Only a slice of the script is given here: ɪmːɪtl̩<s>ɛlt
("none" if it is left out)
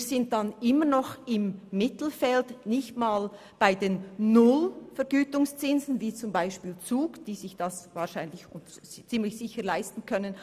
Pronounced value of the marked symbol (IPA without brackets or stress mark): f